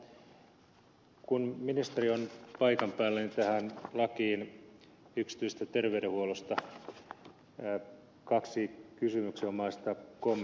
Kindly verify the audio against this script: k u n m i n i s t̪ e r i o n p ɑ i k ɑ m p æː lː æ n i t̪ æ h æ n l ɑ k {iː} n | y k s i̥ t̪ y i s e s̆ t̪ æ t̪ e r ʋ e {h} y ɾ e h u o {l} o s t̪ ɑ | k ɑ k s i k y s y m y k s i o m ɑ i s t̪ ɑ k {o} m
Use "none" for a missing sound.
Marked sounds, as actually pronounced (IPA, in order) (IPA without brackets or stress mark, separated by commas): iː, none, l, o